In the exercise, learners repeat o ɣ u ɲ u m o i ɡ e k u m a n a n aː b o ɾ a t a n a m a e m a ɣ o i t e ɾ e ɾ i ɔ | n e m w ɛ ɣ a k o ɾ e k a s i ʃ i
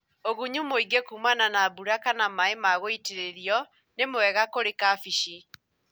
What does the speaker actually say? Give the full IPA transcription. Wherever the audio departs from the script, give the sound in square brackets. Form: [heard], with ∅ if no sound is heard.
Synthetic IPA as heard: o ɣ u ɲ u m o i ɡ e k u m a n a n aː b [u] ɾ a [k] a n a m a e m a ɣ o i t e ɾ e ɾ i ɔ | n e m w ɛ ɣ a k o ɾ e k a [f] i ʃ i